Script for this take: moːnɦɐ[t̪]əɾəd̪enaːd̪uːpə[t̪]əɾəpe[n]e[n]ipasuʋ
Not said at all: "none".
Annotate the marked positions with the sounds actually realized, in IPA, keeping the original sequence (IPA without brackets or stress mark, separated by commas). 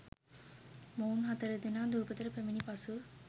t̪, t̪, m, n